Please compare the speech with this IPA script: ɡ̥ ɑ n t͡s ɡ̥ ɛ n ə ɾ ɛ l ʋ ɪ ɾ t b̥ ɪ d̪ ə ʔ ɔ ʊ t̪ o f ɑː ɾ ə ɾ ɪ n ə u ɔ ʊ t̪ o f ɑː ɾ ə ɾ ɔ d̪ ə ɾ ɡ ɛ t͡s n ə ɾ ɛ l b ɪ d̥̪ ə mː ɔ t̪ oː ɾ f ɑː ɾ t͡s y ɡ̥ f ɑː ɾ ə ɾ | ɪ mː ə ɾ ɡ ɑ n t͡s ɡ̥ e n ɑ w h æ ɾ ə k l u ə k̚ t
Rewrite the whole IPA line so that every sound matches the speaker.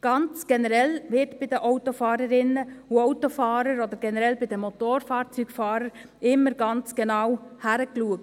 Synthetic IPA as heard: ɡ̥ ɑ n t͡s ɡ̥ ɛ n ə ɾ ɛ l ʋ ɪ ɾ t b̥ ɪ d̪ ə ʔ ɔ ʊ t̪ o f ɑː ɾ ə ɾ ɪ n ə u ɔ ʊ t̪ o f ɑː ɾ ə ɾ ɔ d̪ ə ɾ ɡ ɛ n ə ɾ ɛ l b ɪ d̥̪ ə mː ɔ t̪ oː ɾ f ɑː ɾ t͡s y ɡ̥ f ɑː ɾ ə ɾ | ɪ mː ə ɾ ɡ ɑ n t͡s ɡ̥ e n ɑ w h æ ɾ ə k l u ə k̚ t